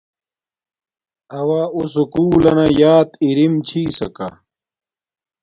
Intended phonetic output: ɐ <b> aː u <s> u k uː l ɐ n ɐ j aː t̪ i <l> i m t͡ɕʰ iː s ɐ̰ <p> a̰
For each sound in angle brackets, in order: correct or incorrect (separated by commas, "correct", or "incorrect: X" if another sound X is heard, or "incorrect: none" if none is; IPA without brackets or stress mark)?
incorrect: w, correct, incorrect: ɾ, incorrect: k